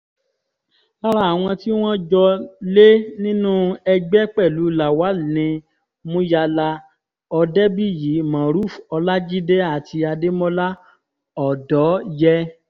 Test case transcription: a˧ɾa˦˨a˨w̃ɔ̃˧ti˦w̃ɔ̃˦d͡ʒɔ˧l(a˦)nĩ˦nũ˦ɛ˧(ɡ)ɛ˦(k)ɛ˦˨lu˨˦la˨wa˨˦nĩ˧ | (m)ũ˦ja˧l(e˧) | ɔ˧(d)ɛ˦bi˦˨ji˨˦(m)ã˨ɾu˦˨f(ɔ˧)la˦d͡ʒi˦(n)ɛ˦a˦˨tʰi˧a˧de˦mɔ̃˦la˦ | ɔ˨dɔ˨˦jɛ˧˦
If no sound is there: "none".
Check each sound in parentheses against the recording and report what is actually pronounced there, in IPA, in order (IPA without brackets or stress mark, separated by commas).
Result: e˦, ɡ͡b, k͡p, m, a˧, d, m, ɔ˧, d